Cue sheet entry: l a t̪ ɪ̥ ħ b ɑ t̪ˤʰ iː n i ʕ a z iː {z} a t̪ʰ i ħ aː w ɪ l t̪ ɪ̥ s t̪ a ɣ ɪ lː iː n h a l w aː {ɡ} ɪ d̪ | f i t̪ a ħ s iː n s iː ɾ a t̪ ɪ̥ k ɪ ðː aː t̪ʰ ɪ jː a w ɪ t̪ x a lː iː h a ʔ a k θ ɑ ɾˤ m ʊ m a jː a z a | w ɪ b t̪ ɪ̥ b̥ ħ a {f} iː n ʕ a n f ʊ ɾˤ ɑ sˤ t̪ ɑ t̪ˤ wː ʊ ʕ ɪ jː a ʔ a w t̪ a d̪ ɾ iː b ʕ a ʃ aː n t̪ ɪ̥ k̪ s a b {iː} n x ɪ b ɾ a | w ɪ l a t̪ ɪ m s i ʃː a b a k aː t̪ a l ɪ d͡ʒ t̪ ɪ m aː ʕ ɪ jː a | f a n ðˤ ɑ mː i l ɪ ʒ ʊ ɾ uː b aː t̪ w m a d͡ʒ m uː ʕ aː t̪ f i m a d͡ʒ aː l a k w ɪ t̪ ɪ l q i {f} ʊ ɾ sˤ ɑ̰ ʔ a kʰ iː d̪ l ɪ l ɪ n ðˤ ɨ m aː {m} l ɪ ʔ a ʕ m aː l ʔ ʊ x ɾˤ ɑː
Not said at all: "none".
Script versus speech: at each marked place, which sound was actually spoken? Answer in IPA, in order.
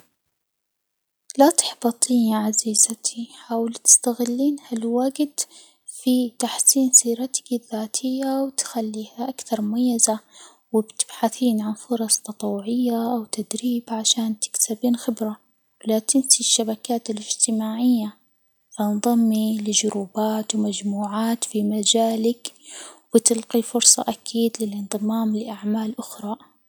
z, ɡ, θ, iː, f, m

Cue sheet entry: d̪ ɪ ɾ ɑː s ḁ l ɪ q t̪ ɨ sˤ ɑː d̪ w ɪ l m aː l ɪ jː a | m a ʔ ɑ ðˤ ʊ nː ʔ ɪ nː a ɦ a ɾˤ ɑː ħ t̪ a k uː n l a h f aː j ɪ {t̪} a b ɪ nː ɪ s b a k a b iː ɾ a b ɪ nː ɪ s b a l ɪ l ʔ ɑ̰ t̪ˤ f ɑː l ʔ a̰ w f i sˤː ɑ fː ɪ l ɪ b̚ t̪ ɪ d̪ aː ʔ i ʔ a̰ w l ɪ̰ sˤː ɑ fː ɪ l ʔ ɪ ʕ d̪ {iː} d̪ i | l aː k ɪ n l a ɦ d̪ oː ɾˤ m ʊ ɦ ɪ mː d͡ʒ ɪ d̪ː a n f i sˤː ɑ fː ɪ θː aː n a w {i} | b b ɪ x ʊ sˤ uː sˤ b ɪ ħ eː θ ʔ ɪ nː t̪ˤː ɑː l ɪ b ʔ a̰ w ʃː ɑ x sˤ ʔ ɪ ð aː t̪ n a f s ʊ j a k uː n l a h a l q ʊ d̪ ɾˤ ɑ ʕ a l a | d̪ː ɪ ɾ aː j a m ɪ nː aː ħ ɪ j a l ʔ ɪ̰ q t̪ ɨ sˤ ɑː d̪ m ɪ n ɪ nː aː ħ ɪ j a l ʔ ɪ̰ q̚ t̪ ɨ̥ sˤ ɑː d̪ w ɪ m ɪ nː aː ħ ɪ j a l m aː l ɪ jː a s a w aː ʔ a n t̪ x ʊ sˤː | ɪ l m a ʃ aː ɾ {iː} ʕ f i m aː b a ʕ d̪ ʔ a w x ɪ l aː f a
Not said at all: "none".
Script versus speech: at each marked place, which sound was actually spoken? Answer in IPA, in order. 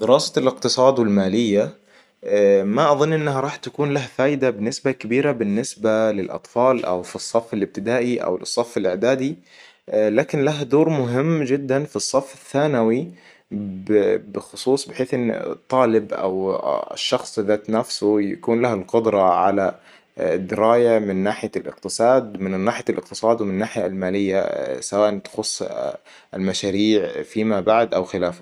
d̪, aː, i, iː

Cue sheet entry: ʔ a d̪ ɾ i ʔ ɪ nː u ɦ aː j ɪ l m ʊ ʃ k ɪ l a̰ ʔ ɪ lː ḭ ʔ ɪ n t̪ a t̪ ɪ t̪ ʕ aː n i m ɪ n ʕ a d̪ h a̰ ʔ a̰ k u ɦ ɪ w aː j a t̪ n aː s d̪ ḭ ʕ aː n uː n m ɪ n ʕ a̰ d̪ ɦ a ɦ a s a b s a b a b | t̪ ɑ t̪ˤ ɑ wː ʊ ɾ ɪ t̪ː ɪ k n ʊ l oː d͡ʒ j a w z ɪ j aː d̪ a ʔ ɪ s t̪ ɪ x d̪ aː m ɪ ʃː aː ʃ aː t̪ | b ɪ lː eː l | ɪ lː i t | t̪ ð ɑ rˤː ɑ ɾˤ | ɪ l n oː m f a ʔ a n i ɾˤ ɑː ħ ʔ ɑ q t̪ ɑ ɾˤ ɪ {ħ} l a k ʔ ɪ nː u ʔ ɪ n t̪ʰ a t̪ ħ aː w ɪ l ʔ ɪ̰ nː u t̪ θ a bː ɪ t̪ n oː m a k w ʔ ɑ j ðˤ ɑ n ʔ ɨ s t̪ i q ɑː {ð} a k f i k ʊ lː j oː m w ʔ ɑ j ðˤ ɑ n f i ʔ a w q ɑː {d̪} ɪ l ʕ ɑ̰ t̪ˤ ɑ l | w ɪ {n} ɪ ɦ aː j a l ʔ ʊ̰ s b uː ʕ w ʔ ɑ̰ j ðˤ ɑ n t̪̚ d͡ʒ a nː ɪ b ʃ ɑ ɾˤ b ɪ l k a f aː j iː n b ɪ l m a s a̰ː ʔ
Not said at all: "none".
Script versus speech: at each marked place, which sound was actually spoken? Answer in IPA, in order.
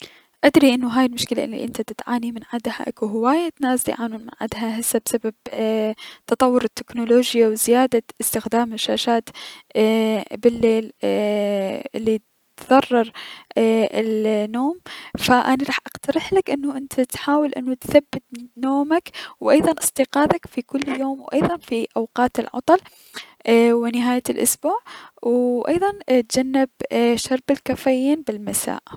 ħ, ð, t̪, n

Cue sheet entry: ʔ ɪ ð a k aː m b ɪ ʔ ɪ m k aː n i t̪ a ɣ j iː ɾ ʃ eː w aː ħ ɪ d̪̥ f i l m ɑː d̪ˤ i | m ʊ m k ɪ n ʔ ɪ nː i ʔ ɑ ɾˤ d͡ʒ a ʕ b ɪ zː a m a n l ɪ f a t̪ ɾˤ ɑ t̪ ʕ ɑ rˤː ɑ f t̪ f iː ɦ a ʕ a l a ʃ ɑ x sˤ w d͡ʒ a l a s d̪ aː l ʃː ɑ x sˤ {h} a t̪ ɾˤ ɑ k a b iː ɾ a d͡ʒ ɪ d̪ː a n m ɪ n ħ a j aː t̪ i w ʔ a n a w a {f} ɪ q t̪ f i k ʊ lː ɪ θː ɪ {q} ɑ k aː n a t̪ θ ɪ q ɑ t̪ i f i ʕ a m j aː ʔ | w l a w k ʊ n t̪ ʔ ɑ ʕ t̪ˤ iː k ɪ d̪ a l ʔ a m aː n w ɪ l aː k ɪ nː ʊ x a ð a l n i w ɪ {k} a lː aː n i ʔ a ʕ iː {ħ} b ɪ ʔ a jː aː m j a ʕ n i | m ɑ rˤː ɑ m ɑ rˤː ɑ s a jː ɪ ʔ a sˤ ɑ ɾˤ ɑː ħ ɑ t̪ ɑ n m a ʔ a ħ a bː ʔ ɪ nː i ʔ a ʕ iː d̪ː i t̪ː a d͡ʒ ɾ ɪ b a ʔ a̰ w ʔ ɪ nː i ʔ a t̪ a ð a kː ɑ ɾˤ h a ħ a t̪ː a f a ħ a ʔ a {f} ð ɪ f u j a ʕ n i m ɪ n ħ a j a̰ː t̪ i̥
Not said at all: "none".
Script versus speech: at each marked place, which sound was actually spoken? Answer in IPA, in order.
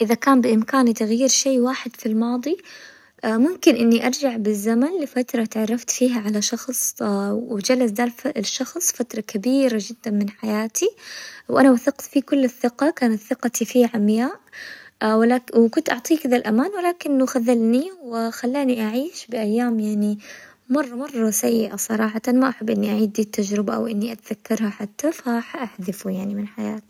f, θ, q, x, ʃ, ħ

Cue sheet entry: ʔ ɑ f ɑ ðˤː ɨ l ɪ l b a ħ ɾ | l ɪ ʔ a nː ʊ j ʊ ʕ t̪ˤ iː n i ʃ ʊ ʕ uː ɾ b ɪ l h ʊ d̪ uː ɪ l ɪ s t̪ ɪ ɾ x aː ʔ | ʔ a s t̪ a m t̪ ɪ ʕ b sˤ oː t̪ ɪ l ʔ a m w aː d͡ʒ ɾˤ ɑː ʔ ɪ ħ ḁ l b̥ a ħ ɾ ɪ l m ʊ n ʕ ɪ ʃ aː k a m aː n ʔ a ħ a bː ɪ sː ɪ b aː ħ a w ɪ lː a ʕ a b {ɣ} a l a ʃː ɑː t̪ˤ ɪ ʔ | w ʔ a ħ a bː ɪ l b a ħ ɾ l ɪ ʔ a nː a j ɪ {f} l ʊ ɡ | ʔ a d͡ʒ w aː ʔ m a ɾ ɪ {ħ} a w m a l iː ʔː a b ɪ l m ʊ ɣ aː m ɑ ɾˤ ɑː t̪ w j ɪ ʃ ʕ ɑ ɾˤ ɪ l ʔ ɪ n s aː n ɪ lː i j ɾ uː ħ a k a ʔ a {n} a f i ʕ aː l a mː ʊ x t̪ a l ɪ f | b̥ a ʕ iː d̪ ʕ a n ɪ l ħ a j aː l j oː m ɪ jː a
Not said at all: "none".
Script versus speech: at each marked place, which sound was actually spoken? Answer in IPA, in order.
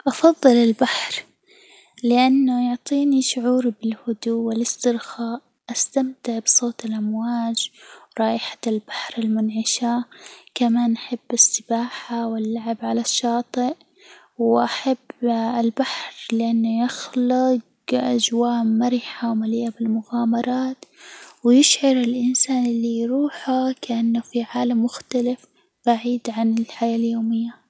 ʕ, x, ħ, nː

